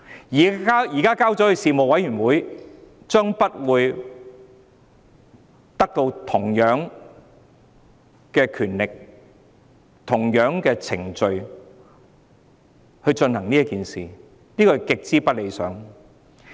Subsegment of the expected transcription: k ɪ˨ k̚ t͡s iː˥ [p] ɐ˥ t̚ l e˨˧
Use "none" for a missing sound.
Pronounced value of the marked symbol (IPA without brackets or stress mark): p